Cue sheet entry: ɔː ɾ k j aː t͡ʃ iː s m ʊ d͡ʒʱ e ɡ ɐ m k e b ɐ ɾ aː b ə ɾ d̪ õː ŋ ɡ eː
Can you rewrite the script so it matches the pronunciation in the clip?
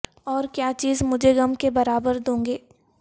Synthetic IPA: ɔː ɾ k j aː t͡ʃ iː z m ʊ d͡ʒʱ e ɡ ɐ m k e b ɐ ɾ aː b ə ɾ d̪ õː ŋ ɡ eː